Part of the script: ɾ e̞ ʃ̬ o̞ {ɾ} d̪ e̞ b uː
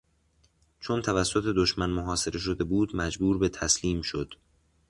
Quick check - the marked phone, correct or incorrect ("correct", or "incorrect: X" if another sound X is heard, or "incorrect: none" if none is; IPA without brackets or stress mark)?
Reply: incorrect: none